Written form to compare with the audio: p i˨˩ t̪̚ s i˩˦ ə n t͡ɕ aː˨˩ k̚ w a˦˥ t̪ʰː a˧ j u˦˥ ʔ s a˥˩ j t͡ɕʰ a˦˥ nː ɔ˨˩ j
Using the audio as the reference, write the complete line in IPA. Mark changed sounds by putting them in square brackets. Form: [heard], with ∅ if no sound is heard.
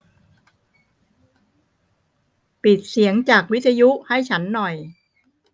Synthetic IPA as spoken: p i˨˩ t̪̚ s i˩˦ ə [ŋ] t͡ɕ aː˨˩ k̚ w [i˦˥] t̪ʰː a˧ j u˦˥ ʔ [h] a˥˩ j t͡ɕʰ a˦˥ nː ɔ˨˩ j